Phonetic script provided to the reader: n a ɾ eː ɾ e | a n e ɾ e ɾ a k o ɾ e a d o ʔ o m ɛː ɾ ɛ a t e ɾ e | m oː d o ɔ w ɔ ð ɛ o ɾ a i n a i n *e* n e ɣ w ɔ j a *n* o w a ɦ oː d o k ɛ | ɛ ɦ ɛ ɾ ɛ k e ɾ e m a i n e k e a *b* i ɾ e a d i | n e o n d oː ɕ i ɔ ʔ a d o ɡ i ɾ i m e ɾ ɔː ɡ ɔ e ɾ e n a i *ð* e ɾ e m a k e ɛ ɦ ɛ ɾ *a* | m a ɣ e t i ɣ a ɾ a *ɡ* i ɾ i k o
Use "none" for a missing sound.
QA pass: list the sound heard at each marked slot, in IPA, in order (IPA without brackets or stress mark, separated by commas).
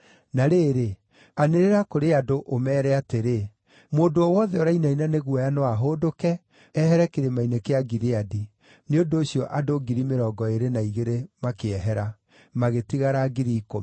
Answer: a, n, ɡ, ɣ, a, ɡ